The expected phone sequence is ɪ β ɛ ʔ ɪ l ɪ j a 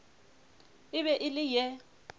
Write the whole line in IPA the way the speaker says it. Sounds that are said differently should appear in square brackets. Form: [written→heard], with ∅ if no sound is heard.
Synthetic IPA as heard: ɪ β ɛ ʔ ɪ l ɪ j [a→ɛ]